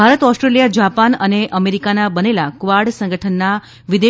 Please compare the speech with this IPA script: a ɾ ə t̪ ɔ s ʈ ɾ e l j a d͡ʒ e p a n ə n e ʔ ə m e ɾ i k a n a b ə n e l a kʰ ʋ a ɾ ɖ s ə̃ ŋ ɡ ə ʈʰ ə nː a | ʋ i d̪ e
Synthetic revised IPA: a ɾ ə t̪ ɔ s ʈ ɾ e l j a d͡ʒ a p a n ə n e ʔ ə m e ɾ i k a n a b ə n e l a k ʋ a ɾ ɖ s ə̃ ŋ ɡ ə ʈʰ ə nː a | ʋ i d̪ e